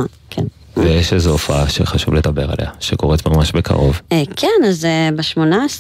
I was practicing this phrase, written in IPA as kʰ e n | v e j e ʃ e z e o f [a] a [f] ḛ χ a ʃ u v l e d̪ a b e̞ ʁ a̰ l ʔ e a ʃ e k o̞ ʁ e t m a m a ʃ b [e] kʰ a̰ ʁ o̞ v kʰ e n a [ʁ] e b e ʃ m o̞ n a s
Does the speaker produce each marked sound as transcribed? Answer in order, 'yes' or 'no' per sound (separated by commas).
yes, no, yes, no